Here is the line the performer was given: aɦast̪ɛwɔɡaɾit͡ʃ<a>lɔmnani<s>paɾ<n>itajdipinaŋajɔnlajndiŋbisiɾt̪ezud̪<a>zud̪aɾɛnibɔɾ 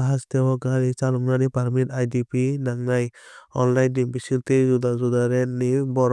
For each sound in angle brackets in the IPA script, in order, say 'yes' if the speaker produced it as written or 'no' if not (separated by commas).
yes, no, no, yes